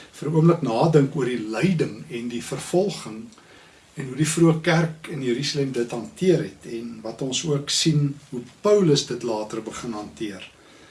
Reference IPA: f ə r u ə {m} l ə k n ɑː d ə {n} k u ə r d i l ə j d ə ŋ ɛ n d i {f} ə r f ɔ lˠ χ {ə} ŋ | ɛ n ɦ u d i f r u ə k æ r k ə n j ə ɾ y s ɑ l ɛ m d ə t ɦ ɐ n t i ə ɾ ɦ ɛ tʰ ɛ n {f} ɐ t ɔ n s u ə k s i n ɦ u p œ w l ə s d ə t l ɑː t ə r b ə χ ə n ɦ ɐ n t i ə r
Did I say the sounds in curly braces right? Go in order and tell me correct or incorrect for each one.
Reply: correct, incorrect: ŋ, correct, correct, incorrect: v

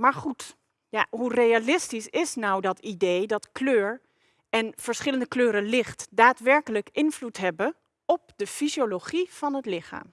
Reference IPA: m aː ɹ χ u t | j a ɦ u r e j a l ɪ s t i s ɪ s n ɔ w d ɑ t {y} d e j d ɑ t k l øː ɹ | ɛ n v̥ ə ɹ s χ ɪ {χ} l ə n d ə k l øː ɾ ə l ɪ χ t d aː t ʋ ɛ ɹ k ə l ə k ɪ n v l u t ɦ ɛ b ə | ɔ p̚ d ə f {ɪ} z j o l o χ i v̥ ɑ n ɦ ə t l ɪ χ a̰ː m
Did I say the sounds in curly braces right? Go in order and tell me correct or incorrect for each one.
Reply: incorrect: i, incorrect: none, incorrect: i

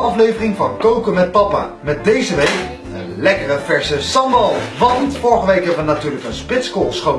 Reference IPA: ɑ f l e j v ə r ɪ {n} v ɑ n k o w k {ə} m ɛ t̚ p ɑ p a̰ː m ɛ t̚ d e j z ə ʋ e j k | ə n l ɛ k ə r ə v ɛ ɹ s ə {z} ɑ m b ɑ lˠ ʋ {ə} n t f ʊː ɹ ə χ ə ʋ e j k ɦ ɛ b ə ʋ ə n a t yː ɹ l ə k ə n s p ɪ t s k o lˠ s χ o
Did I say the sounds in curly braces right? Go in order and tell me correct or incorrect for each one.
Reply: incorrect: ŋ, correct, incorrect: s, incorrect: ɑ

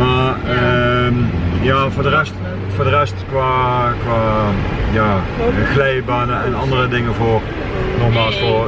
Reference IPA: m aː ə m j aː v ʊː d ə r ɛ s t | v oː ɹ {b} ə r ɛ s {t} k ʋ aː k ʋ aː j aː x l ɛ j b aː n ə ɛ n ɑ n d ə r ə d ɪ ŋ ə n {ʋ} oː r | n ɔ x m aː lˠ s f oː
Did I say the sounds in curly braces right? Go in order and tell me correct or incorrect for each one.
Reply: incorrect: d, correct, incorrect: v

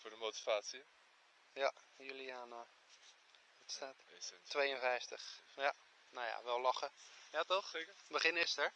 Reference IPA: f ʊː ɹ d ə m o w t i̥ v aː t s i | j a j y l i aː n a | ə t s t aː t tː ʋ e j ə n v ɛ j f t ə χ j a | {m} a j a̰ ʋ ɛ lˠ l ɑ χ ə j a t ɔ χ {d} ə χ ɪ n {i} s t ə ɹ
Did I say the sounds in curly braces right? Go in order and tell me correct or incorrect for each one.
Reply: incorrect: n, incorrect: b, incorrect: ɪ

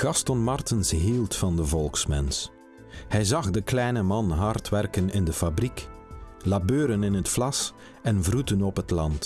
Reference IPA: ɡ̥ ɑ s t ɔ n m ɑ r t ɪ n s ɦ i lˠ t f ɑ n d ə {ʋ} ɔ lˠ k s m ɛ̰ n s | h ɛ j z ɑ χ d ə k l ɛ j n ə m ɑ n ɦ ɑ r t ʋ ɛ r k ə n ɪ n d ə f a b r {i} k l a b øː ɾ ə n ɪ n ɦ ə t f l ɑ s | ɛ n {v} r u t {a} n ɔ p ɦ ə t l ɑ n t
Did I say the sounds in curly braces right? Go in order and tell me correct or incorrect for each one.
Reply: incorrect: v, correct, correct, incorrect: ə

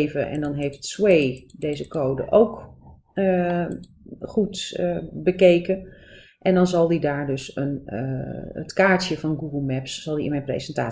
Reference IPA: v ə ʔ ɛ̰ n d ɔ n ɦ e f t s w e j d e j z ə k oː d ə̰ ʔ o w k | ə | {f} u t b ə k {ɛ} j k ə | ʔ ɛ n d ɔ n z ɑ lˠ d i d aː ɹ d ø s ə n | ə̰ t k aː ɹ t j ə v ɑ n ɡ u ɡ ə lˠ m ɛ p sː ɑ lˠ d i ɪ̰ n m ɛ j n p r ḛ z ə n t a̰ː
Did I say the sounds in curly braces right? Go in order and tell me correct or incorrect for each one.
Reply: incorrect: χ, incorrect: e

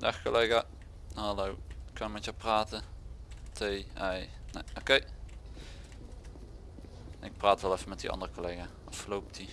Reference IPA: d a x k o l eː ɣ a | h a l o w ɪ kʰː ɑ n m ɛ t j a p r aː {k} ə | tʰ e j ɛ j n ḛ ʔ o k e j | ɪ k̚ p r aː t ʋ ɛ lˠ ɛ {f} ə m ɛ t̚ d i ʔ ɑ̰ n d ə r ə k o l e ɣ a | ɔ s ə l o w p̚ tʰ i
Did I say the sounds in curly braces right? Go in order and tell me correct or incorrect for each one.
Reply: incorrect: t, correct

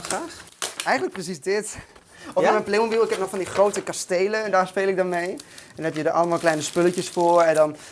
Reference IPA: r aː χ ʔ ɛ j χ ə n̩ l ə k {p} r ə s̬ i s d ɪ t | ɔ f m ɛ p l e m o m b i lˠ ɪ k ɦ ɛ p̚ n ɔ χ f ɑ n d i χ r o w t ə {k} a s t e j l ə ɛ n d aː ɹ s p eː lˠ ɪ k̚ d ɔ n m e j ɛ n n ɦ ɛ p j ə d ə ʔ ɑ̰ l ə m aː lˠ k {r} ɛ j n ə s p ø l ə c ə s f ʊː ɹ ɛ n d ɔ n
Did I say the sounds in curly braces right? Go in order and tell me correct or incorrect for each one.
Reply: correct, correct, incorrect: l

